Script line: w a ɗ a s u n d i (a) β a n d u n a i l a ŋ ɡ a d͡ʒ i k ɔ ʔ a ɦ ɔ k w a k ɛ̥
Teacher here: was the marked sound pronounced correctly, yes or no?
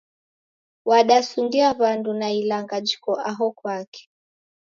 yes